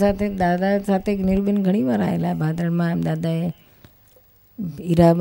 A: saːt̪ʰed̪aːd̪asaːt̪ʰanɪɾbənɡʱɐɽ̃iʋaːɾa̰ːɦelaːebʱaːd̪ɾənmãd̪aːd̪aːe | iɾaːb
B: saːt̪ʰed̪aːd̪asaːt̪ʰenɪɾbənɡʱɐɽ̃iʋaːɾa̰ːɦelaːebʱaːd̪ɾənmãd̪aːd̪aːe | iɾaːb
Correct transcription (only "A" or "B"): B